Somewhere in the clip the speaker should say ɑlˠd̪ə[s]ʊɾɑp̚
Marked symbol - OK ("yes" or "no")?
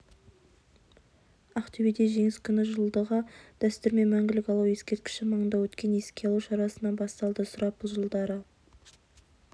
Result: yes